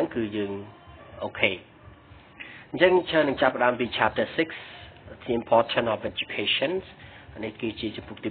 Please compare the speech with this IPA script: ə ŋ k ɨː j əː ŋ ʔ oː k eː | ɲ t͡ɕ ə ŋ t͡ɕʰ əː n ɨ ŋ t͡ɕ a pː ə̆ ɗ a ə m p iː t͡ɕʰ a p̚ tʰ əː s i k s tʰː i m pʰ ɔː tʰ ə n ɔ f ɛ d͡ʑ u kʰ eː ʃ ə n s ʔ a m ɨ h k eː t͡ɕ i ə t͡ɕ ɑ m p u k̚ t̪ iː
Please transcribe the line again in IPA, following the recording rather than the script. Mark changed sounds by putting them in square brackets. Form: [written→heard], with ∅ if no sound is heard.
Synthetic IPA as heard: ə ŋ k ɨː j əː ŋ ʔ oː [k→kʰ] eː | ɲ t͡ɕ ə ŋ t͡ɕʰ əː n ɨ ŋ t͡ɕ a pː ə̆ ɗ a ə m p iː t͡ɕʰ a p̚ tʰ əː s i k s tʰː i m pʰ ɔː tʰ ə n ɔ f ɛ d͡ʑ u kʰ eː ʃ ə n s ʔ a [m→n] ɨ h k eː t͡ɕ i ə t͡ɕ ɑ m p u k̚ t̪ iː